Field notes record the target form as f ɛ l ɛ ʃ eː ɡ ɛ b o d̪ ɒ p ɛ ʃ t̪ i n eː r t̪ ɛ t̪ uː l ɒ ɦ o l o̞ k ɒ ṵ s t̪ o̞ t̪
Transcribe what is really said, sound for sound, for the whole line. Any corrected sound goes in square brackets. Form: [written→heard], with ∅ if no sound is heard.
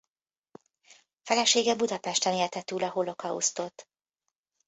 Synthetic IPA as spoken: f ɛ l ɛ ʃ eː ɡ ɛ b [o→u] d̪ ɒ p ɛ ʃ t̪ [i→ɛ] n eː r t̪ ɛ t̪ uː l ɒ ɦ o l o̞ k ɒ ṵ s t̪ o̞ t̪